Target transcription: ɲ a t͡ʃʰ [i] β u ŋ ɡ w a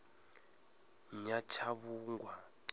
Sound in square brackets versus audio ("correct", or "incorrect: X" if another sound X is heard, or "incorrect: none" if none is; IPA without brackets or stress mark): incorrect: a